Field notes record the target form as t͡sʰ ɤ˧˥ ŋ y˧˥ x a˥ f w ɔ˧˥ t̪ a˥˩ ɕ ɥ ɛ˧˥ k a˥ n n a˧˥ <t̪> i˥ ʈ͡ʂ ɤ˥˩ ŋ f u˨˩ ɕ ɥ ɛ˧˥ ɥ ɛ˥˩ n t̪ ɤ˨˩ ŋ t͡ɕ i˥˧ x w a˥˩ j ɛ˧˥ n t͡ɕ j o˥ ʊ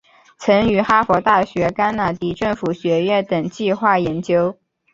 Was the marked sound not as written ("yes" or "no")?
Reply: no